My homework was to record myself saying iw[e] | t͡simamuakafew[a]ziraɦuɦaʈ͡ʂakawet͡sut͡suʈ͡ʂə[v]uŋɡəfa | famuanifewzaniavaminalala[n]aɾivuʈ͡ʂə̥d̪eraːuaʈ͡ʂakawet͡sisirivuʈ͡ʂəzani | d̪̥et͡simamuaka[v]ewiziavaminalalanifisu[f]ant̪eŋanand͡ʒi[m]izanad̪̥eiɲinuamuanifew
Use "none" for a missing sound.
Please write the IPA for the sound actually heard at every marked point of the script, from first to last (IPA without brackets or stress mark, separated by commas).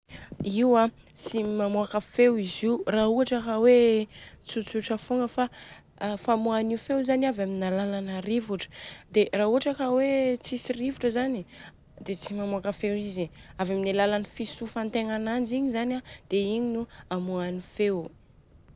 a, i, f, n, f, f, ɲ